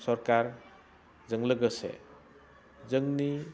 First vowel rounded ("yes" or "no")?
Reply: yes